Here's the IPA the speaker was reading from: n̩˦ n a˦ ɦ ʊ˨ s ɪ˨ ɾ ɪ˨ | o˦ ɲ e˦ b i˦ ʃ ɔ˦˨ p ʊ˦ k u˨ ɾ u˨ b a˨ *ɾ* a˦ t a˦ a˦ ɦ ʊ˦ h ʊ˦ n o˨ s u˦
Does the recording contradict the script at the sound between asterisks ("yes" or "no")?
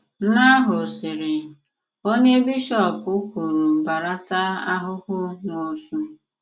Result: no